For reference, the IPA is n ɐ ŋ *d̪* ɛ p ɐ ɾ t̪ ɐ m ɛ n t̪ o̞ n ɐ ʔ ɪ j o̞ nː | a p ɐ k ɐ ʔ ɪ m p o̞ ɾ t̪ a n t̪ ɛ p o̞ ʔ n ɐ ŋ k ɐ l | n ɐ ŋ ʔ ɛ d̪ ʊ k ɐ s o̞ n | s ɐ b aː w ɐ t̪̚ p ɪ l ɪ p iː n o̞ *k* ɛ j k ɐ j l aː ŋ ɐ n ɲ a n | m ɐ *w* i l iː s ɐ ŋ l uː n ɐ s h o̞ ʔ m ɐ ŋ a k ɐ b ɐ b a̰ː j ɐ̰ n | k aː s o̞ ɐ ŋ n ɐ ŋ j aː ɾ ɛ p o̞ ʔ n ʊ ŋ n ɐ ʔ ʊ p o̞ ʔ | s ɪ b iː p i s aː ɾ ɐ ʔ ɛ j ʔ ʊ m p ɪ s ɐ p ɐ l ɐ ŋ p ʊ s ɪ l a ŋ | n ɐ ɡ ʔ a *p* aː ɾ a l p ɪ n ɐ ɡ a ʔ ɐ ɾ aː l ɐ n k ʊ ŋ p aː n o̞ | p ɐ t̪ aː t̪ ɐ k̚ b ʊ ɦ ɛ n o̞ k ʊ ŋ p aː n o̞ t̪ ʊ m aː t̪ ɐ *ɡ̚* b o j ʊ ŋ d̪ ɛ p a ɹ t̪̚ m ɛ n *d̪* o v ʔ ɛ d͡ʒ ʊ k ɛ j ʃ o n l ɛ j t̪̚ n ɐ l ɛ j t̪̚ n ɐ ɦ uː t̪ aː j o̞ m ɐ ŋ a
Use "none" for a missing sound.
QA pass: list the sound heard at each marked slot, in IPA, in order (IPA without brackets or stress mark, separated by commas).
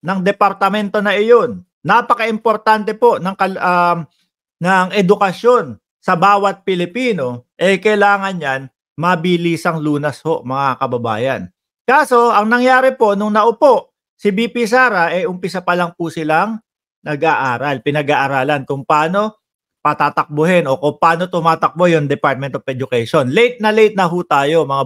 d̪, ʔ, b, ʔ, k̚, t̪